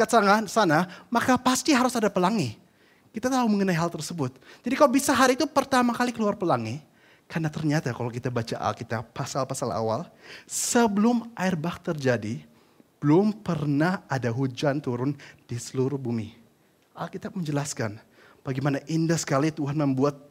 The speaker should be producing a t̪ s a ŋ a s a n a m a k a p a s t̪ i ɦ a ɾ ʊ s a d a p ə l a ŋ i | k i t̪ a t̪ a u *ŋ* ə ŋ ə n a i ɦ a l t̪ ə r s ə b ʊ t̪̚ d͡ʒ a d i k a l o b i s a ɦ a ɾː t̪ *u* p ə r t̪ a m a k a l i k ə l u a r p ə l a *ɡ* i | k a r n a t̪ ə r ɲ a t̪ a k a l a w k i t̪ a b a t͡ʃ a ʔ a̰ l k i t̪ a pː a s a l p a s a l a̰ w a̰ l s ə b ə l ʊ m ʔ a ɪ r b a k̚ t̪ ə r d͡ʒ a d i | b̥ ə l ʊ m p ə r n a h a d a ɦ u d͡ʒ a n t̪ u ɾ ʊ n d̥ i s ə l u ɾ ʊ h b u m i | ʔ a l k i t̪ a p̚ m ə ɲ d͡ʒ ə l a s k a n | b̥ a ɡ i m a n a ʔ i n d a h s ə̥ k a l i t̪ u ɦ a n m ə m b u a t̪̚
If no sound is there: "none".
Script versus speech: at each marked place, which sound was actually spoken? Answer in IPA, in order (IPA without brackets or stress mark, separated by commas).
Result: m, u, ŋ